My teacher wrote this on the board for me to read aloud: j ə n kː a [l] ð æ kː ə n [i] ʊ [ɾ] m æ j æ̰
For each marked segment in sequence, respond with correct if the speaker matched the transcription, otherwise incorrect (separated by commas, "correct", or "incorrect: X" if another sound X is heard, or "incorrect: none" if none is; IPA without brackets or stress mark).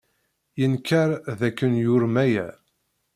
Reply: incorrect: ɾ, incorrect: j, correct